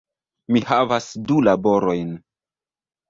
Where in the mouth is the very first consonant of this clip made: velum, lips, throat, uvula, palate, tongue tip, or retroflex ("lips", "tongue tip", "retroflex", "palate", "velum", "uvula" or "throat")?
lips